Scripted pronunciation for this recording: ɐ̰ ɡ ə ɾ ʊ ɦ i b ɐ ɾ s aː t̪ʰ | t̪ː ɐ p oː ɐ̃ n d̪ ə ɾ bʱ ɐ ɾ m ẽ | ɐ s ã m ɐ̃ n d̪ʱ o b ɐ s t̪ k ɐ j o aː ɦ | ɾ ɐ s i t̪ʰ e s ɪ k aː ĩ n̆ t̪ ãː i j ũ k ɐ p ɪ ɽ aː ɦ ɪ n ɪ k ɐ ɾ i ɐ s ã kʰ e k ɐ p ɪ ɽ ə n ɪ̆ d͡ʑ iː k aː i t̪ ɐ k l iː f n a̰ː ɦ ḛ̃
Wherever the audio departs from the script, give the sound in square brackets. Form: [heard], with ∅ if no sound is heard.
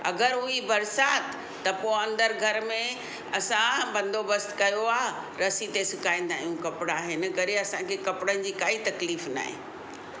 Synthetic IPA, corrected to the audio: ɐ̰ ɡ ə ɾ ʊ ɦ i b ɐ ɾ s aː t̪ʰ | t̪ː ɐ p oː ɐ̃ n d̪ ə ɾ [ɡʱ] ɐ ɾ m ẽ | ɐ s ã [b] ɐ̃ n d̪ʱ o b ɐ s t̪ k ɐ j o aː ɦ | ɾ ɐ s i [t̪] e s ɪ k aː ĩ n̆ [d̪] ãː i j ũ k ɐ p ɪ ɽ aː ɦ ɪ n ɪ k ɐ ɾ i ɐ s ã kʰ e k ɐ p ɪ ɽ ə n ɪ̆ d͡ʑ iː k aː i t̪ ɐ k l iː f n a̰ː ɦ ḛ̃